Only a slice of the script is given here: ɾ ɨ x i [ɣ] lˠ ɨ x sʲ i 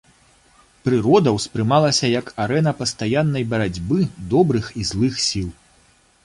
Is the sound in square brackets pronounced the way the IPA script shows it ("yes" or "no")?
no